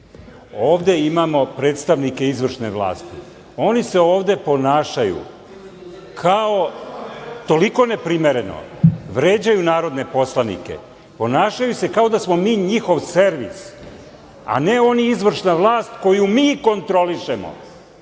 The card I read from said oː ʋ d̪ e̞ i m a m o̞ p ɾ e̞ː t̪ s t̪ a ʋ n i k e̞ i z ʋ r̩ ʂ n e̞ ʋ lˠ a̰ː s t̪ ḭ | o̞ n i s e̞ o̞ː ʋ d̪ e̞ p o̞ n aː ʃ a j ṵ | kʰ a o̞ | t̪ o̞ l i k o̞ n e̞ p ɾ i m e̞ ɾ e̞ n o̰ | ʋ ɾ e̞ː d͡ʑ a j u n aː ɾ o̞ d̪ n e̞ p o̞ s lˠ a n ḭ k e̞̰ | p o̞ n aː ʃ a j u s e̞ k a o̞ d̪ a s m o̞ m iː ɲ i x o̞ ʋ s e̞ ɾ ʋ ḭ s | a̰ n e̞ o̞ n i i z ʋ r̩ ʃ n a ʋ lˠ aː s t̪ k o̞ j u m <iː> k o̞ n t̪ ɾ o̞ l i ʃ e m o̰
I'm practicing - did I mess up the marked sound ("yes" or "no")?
no